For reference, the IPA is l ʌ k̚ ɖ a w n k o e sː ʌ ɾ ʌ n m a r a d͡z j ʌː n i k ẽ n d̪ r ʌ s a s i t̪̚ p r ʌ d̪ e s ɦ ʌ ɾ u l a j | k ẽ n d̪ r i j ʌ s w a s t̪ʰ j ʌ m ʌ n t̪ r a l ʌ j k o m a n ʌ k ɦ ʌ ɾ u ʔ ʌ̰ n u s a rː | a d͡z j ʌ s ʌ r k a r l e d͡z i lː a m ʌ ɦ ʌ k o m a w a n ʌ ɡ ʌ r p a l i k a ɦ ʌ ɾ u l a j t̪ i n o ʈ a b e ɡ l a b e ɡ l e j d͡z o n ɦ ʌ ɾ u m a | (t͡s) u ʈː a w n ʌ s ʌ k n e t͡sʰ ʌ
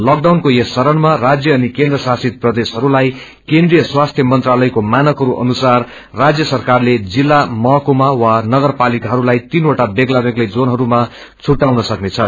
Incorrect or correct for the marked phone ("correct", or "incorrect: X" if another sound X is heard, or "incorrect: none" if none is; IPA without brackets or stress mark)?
incorrect: t͡sʰ